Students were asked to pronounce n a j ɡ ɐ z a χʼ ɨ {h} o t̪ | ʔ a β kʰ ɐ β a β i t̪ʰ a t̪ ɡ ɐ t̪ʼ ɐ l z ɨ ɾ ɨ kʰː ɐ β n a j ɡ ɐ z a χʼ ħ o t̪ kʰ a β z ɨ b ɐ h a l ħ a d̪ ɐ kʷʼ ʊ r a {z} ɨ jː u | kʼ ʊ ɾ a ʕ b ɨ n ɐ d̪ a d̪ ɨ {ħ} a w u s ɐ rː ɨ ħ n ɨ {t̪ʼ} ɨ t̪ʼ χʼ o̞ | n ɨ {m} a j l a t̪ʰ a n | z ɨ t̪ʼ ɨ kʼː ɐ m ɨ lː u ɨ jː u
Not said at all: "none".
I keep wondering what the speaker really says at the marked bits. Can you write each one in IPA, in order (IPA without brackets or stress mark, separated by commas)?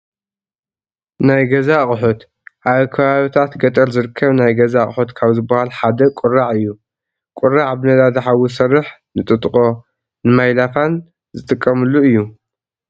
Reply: ħ, ʕ, ħ, t̪ʼ, m